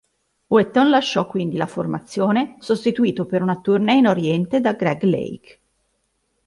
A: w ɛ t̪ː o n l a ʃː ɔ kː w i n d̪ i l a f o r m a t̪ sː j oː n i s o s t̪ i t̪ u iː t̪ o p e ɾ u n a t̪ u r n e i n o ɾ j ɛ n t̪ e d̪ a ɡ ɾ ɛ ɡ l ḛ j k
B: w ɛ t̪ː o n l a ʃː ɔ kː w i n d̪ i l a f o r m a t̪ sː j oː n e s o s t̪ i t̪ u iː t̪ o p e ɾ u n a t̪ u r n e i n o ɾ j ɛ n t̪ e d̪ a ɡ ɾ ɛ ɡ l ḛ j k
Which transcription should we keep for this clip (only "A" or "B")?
B